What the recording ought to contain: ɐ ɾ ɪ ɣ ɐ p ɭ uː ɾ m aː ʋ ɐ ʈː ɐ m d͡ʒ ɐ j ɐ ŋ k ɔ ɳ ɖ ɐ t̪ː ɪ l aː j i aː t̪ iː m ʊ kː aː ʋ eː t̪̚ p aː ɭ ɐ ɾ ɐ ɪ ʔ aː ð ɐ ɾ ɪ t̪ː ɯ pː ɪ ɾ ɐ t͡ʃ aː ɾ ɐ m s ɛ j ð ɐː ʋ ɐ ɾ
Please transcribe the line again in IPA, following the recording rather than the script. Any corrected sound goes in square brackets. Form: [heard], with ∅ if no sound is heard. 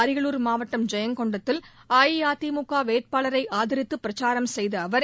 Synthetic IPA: ɐ ɾ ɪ ɣ ɐ [∅] ɭ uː ɾ m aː ʋ ɐ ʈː ɐ m d͡ʒ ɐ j ɐ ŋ k ɔ ɳ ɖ ɐ t̪ː ɪ l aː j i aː t̪ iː m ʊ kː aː ʋ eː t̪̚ p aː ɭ ɐ ɾ ɐ ɪ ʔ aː ð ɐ ɾ ɪ t̪ː ɯ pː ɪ ɾ ɐ t͡ʃ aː ɾ ɐ m s ɛ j ð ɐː ʋ ɐ ɾ

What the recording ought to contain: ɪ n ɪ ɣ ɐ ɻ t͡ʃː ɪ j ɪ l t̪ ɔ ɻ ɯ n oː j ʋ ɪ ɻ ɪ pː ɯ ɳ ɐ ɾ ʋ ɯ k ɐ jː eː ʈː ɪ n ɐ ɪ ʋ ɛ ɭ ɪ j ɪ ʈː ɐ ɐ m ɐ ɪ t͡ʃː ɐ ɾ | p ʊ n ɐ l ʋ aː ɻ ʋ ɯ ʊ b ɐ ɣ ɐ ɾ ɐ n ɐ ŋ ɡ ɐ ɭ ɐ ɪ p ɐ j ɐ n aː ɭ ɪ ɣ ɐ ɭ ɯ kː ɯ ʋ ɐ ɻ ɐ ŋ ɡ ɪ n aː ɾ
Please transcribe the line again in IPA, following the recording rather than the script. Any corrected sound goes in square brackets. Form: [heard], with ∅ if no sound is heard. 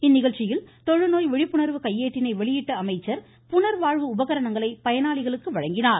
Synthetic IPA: ɪ [nː] ɪ ɣ ɐ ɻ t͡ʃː ɪ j ɪ l t̪ ɔ ɻ ɯ n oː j ʋ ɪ ɻ ɪ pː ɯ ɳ ɐ ɾ ʋ ɯ k ɐ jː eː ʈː ɪ n ɐ ɪ ʋ ɛ ɭ ɪ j ɪ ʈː ɐ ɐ m ɐ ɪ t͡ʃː ɐ ɾ | p ʊ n ɐ [ɾ] ʋ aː ɻ ʋ ɯ ʊ b ɐ ɣ ɐ ɾ ɐ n ɐ ŋ ɡ ɐ ɭ ɐ ɪ p ɐ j ɐ n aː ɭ ɪ ɣ ɐ ɭ ɯ kː ɯ ʋ ɐ ɻ ɐ ŋ ɡ ɪ n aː ɾ

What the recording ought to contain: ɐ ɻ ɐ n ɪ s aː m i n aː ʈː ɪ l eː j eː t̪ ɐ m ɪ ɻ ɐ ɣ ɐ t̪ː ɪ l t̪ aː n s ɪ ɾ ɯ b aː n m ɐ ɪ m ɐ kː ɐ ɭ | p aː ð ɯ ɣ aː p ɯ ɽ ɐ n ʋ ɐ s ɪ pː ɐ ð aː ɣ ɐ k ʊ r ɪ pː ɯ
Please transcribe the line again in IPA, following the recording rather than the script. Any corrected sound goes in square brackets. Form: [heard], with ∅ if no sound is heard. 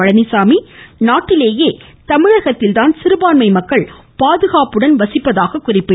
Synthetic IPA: ɐ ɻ ɐ n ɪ s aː m i n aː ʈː ɪ l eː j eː t̪ ɐ m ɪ ɻ ɐ ɣ ɐ t̪ː ɪ l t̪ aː n s ɪ ɾ ɯ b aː n m ɐ ɪ m ɐ kː ɐ ɭ | p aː ð ɯ ɣ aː p ɯ ɽ ɐ n ʋ ɐ s ɪ pː ɐ ð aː ɣ ɐ k ʊ r ɪ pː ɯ

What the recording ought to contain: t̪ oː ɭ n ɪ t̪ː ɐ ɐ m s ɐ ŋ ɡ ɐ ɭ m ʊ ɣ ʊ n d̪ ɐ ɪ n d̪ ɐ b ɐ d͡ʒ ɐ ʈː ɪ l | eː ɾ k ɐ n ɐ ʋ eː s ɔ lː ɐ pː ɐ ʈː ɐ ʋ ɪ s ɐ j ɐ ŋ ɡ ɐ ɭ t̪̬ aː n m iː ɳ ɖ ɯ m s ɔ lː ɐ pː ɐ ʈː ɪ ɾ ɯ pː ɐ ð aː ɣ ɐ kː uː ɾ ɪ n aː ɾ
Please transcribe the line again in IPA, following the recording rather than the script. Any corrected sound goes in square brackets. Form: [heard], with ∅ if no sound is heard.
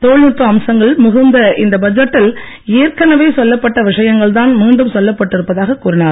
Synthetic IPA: t̪ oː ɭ n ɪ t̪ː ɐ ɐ m s ɐ ŋ ɡ ɐ ɭ m ʊ ɣ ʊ n d̪ ɐ ɪ n d̪ ɐ b ɐ d͡ʒ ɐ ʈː ɪ l | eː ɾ k ɐ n ɐ ʋ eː s ɔ lː ɐ pː ɐ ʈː ɐ ʋ ɪ [ʂ] ɐ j ɐ ŋ ɡ ɐ ɭ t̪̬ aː n m iː ɳ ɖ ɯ m s ɔ lː ɐ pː ɐ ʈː ɪ ɾ ɯ pː ɐ ð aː ɣ ɐ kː uː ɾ ɪ n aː ɾ

